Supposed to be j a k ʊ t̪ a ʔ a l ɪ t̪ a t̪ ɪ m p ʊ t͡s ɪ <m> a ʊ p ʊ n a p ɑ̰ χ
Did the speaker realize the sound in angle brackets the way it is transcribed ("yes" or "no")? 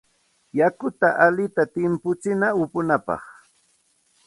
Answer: no